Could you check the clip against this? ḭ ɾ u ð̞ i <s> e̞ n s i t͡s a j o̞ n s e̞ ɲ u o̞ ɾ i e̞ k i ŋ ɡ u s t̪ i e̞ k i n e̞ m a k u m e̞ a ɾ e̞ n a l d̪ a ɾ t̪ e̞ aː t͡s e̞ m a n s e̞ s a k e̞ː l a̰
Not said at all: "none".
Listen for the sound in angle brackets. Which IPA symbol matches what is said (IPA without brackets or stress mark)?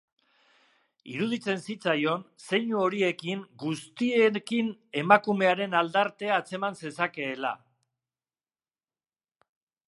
t͡s